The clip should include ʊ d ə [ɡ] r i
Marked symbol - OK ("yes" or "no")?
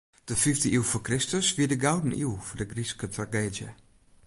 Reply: yes